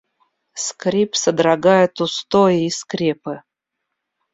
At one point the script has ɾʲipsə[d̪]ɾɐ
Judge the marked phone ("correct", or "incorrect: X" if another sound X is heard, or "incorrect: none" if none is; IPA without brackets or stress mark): correct